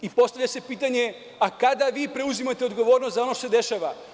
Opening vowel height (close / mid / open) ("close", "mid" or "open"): close